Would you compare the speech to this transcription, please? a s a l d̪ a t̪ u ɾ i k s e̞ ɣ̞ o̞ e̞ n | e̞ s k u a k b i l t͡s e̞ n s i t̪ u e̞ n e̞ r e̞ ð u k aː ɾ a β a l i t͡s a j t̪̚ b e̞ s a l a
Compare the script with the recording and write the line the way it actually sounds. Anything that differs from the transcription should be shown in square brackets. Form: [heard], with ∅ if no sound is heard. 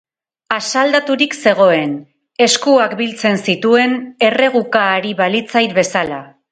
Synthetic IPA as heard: a s a l d̪ a t̪ u ɾ i k s e̞ ɣ̞ o̞ e̞ n | e̞ s k u a k b i l t͡s e̞ n s i t̪ u e̞ n e̞ r e̞ [ɣ] u k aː ɾ [i] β a l i t͡s a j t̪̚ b e̞ s a l a